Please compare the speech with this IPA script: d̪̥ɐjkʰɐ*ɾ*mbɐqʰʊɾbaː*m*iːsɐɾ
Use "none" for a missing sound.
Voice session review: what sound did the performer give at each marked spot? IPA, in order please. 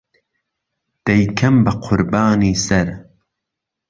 none, n

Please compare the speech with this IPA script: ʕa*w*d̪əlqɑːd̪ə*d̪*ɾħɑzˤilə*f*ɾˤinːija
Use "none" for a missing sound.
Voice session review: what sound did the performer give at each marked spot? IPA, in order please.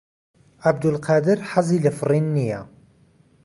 b, none, f

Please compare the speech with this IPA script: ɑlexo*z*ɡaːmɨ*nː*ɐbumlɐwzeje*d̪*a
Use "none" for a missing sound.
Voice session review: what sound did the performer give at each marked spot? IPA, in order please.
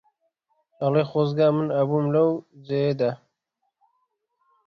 z, n, d̪

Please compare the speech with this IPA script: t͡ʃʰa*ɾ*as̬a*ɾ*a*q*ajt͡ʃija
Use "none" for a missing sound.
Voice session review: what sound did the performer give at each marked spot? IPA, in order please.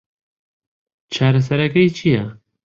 ɾ, ɾ, k

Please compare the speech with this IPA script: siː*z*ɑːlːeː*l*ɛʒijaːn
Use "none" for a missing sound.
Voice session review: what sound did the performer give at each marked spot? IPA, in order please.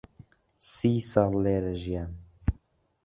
s, ɾ

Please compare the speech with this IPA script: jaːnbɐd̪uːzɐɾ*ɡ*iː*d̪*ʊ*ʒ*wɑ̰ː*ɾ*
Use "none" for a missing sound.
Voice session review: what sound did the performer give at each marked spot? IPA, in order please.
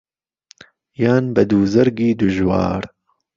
ɡ, d̪, ʒ, ɾ

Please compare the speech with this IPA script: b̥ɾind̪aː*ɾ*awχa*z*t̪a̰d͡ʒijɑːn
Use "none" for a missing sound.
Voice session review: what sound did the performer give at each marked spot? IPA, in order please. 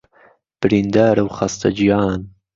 ɾ, s

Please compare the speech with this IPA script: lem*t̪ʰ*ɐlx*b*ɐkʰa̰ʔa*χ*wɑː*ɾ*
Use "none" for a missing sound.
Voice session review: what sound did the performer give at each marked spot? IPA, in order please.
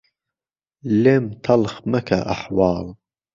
t̪ʰ, m, ħ, l

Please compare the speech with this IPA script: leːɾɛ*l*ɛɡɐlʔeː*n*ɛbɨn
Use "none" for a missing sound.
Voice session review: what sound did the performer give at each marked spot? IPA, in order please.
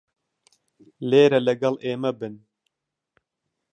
l, m

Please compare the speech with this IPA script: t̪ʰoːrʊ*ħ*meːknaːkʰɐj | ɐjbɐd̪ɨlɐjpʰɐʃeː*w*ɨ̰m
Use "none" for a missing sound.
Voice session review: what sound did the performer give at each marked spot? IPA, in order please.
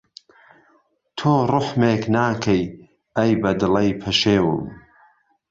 ħ, w

